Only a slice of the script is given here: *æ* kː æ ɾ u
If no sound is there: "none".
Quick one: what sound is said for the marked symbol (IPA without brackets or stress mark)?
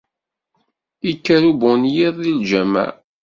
i